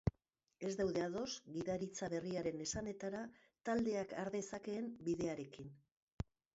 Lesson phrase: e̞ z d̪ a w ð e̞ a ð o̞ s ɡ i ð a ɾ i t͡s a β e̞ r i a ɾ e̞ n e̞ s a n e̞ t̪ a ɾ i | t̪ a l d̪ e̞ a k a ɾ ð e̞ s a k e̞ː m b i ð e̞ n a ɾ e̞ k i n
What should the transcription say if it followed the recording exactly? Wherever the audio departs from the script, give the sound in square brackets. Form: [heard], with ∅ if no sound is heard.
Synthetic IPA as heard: e̞ z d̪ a w ð e̞ a ð o̞ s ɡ i ð a ɾ i t͡s a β e̞ r i a ɾ e̞ n e̞ s a n e̞ t̪ a ɾ [a] | t̪ a l d̪ e̞ a k a ɾ ð e̞ s a k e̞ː m b i ð e̞ [∅] a ɾ e̞ k i n